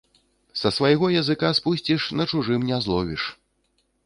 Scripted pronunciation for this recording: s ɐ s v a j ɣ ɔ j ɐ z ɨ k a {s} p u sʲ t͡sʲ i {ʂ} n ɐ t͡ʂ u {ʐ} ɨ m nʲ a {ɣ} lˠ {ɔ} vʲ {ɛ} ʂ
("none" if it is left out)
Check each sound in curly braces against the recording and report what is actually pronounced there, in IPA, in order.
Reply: s, ʂ, ʐ, z, ɔ, i

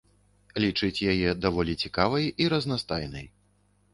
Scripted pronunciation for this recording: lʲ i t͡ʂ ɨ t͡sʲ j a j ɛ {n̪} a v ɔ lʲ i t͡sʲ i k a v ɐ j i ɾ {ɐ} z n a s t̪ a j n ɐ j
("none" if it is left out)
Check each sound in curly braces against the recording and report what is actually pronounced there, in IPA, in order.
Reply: d̪, ɐ

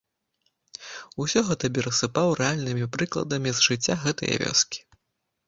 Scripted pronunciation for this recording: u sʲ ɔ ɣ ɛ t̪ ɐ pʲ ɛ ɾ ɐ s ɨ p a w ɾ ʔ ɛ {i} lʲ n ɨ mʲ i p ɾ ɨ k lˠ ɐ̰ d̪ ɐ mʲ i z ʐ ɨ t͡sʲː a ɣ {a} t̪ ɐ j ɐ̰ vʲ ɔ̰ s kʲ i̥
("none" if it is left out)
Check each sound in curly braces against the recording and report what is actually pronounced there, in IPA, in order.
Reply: a, ɛ

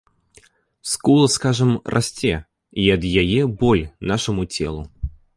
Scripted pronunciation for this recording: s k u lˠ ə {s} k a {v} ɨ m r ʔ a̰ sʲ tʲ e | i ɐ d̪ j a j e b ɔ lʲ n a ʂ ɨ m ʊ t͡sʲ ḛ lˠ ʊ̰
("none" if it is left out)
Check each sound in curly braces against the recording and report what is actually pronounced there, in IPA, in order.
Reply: s, ʐ

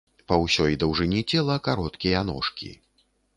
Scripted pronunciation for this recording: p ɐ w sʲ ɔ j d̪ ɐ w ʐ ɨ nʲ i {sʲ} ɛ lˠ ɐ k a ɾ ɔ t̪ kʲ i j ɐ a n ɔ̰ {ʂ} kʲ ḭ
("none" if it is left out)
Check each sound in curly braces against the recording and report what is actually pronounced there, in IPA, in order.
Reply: t͡sʲ, ʂ

